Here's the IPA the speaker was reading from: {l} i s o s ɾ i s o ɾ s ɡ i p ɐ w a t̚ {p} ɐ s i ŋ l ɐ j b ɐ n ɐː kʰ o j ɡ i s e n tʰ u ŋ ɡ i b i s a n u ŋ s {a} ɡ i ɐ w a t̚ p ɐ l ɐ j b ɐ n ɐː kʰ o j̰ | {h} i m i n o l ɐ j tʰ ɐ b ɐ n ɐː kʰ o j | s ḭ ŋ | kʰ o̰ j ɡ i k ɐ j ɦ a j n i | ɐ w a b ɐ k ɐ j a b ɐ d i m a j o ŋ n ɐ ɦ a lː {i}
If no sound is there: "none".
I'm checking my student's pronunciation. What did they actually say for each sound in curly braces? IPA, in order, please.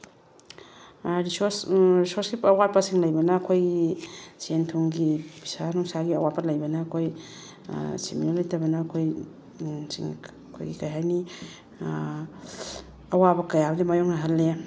ɾ, p, a, s, e

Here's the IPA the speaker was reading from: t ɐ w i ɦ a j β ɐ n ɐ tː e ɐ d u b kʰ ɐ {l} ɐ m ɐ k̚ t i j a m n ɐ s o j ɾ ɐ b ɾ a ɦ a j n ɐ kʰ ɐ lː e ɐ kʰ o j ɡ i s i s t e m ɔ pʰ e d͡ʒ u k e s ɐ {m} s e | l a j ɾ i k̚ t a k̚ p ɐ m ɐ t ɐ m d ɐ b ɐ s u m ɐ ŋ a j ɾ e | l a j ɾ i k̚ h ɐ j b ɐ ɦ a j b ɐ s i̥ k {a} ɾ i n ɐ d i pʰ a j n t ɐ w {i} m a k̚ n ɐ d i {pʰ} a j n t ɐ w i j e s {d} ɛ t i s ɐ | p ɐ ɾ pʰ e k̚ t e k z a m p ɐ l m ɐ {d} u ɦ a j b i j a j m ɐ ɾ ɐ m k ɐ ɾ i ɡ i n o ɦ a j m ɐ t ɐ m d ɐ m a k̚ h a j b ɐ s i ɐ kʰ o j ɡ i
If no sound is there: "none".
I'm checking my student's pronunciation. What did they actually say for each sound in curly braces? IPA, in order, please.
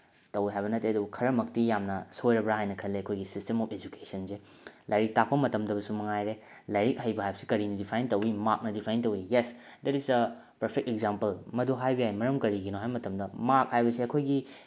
ɾ, n, ɐ, i, pʰ, d, d

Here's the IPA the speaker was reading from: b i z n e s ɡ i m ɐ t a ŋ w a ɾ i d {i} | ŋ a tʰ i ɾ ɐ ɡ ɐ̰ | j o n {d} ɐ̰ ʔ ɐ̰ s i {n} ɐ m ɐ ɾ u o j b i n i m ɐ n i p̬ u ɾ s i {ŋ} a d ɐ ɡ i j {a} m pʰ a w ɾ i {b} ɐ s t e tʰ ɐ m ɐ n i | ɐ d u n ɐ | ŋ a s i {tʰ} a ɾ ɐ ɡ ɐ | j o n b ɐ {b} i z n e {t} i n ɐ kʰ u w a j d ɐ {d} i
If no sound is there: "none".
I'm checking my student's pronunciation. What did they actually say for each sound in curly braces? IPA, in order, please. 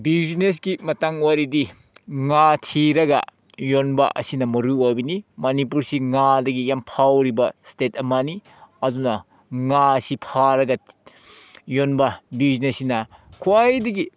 i, b, n, ŋ, a, b, pʰ, b, s, ɡ

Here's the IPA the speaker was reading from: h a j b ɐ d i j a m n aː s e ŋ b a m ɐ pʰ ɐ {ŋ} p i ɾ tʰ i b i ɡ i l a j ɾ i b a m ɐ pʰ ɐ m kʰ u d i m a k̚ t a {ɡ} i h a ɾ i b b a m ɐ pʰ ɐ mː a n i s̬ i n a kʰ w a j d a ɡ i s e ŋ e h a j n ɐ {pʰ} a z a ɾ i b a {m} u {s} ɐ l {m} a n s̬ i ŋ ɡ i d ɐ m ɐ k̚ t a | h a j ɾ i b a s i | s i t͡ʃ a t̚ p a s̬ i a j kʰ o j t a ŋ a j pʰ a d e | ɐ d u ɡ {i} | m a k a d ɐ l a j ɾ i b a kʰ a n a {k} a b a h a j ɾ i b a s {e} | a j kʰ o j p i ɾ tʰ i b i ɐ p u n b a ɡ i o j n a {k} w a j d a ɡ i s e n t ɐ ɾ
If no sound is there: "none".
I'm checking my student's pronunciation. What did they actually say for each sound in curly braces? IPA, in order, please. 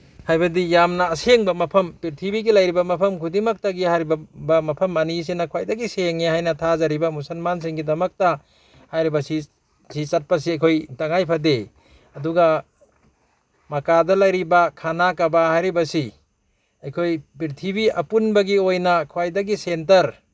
m, ɡ, tʰ, m, s, m, a, k, i, kʰ

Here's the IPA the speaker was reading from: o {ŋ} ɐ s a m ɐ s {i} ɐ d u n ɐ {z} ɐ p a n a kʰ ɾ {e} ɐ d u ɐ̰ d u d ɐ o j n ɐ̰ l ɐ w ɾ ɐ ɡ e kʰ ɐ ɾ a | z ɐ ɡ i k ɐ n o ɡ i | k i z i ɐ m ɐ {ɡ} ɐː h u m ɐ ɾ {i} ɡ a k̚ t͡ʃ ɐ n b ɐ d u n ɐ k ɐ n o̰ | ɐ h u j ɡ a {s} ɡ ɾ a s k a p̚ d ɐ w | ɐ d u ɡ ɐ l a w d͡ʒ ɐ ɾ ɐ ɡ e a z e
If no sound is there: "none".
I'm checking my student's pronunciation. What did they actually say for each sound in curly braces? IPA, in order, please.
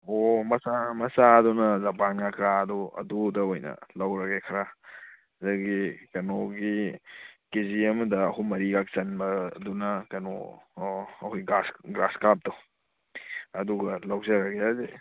m, a, z, a, d, i, s

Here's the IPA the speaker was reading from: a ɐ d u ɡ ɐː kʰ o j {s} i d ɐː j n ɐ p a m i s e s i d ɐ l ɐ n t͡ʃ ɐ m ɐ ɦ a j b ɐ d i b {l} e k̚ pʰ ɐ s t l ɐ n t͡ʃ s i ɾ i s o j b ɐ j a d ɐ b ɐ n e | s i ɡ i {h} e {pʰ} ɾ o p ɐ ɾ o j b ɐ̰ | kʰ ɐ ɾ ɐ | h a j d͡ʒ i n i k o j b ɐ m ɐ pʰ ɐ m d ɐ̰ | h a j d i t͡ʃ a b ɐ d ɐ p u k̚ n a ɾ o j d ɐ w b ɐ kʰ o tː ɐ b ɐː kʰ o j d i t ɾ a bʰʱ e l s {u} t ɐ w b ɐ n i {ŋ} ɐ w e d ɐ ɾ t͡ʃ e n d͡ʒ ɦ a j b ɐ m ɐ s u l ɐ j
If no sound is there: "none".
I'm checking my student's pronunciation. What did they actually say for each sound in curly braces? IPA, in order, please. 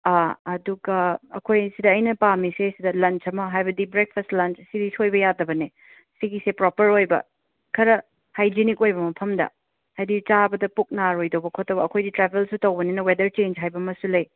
s, ɾ, s, p, u, n

